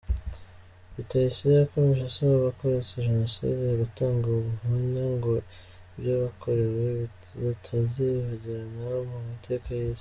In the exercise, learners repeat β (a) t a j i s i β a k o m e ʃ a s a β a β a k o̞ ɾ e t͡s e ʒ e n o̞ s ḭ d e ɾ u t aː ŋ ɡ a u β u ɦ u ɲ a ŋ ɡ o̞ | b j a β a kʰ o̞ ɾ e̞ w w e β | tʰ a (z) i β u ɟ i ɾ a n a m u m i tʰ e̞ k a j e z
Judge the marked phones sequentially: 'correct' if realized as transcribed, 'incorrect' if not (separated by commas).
incorrect, correct